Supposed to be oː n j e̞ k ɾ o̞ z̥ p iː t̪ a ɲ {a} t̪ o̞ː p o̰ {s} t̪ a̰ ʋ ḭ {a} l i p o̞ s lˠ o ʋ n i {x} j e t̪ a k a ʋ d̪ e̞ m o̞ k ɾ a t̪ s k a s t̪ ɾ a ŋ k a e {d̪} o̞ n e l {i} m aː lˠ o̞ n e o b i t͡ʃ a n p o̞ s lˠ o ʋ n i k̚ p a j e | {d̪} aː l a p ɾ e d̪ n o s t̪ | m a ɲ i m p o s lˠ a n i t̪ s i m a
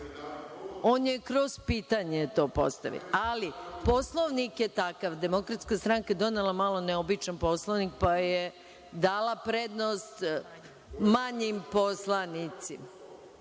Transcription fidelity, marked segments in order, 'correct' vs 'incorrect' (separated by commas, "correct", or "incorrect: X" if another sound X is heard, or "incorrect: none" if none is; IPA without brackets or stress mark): incorrect: e, correct, correct, incorrect: k, correct, incorrect: a, correct